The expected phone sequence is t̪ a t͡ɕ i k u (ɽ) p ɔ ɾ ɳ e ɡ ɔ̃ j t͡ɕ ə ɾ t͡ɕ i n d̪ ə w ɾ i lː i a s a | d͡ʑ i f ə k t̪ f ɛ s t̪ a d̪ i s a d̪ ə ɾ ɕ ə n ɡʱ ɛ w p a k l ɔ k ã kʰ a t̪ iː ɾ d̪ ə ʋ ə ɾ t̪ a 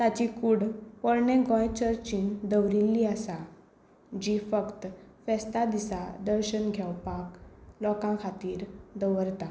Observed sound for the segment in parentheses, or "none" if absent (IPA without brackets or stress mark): ɽ